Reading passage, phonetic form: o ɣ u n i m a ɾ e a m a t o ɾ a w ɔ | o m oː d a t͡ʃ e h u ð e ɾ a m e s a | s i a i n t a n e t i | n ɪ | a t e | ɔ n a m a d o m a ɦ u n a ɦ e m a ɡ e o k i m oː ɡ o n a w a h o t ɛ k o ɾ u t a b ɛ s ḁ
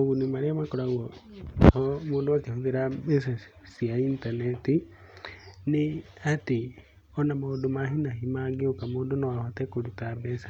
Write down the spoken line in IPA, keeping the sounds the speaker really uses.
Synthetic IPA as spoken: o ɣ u n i m a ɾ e a m a k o ɾ a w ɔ | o m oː d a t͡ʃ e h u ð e ɾ a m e s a | s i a i n t a n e t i | n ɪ | a t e | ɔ n a m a d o m a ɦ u n a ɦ i m a ɡ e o k a m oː d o n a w a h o t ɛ k o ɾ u t a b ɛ s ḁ